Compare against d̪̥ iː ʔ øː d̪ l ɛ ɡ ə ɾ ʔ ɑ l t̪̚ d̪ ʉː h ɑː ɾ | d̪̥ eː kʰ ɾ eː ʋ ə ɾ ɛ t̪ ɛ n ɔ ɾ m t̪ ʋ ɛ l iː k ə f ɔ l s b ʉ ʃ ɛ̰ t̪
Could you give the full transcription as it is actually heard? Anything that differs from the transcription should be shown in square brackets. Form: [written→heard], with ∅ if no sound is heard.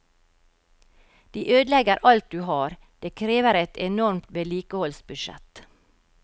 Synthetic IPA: d̪̥ iː ʔ øː d̪ l ɛ ɡ ə ɾ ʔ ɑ l t̪̚ d̪ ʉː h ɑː ɾ | d̪̥ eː kʰ ɾ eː ʋ ə ɾ ɛ t̪ ɛ n ɔ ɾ m t̪ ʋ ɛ l iː k ə [f→h] ɔ l s b ʉ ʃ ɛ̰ t̪